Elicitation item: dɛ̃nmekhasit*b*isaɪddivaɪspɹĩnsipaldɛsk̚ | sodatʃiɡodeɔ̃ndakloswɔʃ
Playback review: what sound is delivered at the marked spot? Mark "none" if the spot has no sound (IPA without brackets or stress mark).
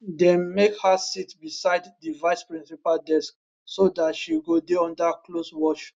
b